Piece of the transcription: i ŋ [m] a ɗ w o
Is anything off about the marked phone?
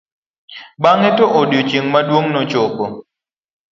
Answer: no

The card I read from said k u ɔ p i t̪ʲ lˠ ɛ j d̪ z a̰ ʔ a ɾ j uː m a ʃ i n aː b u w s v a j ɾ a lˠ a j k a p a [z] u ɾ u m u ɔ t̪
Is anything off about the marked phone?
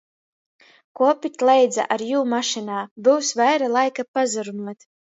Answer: no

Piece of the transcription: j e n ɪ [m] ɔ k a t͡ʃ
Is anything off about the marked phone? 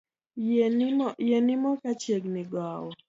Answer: no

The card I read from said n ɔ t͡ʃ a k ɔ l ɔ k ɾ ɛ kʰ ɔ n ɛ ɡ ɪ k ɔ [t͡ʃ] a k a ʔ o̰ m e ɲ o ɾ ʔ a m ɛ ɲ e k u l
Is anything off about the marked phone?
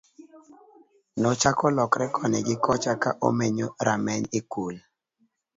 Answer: no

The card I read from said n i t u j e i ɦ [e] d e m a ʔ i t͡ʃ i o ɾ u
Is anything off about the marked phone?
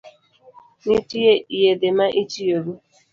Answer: no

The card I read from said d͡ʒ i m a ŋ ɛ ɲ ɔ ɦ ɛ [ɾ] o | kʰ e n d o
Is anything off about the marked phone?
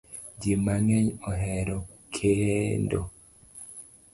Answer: no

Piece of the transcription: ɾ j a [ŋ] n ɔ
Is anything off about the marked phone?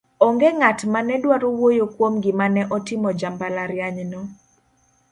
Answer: yes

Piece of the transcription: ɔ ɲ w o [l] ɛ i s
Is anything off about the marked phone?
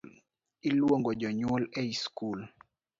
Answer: no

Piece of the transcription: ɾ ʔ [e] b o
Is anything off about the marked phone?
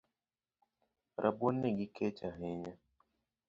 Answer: yes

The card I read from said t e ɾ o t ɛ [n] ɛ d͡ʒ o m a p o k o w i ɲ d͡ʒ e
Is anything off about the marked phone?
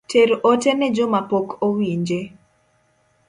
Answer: no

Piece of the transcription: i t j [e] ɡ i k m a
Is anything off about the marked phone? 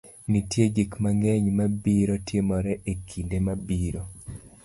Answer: no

